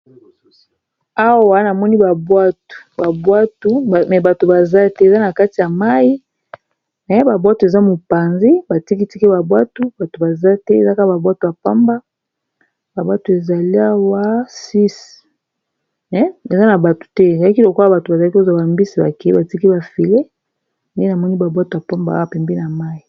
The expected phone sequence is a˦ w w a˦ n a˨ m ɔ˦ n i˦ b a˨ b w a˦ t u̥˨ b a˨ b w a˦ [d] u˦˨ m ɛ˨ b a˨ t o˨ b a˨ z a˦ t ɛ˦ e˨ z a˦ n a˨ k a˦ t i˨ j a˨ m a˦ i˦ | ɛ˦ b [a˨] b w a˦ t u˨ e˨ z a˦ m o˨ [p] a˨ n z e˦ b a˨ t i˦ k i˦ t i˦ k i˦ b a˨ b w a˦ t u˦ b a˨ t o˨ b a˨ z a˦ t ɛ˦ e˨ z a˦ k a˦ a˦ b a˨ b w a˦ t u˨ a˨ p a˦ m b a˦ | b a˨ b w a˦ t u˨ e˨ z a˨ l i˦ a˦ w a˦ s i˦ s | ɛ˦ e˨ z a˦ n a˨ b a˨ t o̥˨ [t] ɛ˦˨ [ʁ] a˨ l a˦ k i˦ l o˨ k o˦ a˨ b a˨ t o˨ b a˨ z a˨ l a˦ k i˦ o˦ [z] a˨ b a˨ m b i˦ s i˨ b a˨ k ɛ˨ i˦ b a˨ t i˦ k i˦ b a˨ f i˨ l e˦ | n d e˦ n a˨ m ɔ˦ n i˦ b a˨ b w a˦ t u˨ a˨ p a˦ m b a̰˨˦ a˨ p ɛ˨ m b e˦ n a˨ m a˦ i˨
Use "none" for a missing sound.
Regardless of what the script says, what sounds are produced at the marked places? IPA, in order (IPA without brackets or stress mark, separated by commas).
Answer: t, a˨, p, t, z, z